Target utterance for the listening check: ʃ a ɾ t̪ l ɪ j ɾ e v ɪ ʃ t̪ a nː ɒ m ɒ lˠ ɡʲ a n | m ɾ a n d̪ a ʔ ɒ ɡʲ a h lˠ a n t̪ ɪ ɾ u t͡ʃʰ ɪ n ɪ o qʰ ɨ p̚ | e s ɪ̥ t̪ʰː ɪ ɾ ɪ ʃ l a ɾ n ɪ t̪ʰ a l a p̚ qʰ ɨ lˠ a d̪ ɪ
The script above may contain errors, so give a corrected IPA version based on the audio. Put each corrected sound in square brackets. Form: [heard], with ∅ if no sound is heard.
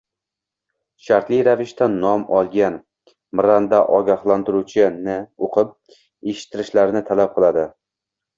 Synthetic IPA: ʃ a ɾ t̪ l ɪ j ɾ [a] v ɪ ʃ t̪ a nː ɒ m ɒ lˠ ɡʲ a n | m ɾ a n d̪ a ʔ ɒ ɡʲ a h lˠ a n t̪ ɪ ɾ u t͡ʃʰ ɪ n ɪ o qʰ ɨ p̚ | e [ʃ] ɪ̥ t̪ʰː ɪ ɾ ɪ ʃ l a ɾ n ɪ t̪ʰ a l a p̚ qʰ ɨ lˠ a d̪ ɪ